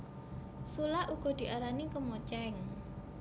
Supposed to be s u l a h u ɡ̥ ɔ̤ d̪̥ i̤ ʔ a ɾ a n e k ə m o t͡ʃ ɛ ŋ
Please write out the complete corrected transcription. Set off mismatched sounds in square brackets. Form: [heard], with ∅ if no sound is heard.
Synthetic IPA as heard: s u l a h u ɡ̥ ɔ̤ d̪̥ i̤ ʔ a ɾ a n [i] k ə m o t͡ʃ ɛ ŋ